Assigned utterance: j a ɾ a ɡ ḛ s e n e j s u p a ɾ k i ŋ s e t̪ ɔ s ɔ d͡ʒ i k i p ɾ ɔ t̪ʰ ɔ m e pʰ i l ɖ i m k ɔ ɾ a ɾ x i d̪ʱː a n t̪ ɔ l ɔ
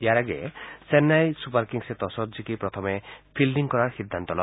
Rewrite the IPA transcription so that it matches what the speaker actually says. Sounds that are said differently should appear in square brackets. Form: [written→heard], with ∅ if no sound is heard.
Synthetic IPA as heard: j a ɾ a ɡ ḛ s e n [e→a] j s u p a ɾ k i ŋ s e t̪ ɔ s ɔ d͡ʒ i k i p ɾ ɔ t̪ʰ ɔ m e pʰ i l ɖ i [m→ŋ] k ɔ ɾ a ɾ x i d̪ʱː a n t̪ ɔ l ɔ

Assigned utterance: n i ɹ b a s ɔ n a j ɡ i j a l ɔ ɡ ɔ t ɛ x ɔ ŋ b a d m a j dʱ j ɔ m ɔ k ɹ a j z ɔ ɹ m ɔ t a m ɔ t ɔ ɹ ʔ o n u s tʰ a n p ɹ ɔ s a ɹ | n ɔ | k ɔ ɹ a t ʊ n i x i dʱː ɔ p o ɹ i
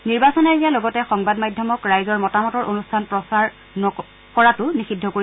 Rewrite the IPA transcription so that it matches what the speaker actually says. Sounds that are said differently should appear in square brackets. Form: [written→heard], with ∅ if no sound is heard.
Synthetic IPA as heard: n i ɹ b a s ɔ n a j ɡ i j a l ɔ ɡ ɔ t ɛ x ɔ ŋ b a d m a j dʱ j ɔ m ɔ k ɹ a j z ɔ ɹ m ɔ t a m ɔ t ɔ ɹ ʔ o n u s tʰ a n p ɹ ɔ s a ɹ | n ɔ | k ɔ ɹ a t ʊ n i x i dʱː ɔ [p→k] o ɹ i

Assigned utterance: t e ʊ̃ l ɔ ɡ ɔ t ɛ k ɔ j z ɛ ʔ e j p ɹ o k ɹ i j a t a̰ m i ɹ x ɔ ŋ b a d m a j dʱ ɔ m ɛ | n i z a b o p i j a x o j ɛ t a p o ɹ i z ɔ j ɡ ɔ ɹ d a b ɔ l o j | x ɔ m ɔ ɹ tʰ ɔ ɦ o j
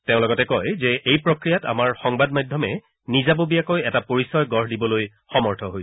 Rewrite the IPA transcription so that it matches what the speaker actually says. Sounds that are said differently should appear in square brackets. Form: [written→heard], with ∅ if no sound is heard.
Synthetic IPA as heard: t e ʊ̃ l ɔ ɡ ɔ t ɛ k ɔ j z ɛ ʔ e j p ɹ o k ɹ i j a t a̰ m [i→a] ɹ x ɔ ŋ b a d m a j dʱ ɔ m ɛ | n i z a b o [p→b] i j a [x→k] o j ɛ t a p o ɹ i [z→s] ɔ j ɡ ɔ ɹ d [a→i] b ɔ l o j | x ɔ m ɔ ɹ tʰ ɔ ɦ o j

